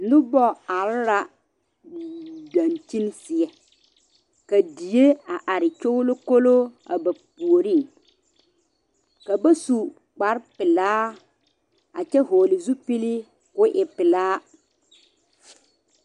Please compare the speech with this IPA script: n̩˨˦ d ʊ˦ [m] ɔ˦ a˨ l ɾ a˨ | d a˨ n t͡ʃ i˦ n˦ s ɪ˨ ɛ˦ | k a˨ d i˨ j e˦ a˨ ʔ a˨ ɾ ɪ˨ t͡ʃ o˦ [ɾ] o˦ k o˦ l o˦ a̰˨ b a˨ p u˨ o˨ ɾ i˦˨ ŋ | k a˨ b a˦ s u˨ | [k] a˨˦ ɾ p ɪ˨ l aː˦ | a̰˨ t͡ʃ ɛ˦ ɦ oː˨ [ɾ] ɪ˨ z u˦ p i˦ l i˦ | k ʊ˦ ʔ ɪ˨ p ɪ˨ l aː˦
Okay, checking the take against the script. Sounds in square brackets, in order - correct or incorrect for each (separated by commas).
incorrect, incorrect, incorrect, incorrect